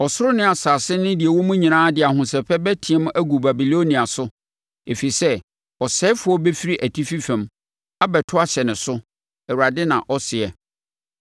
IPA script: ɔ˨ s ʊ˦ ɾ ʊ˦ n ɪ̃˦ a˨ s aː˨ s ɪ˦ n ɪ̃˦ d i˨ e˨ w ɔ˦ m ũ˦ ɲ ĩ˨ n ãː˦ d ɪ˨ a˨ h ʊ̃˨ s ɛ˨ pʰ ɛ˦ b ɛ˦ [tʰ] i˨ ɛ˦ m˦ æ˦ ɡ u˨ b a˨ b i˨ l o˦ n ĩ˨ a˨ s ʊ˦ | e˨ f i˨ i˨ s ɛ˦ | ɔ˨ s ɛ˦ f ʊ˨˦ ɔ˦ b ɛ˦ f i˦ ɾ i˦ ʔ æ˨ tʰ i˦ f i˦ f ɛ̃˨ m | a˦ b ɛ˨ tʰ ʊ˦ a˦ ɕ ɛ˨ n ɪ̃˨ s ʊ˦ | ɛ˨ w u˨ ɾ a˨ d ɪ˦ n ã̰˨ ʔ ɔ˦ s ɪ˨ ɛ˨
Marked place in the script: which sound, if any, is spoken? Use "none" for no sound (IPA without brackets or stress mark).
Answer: tʰ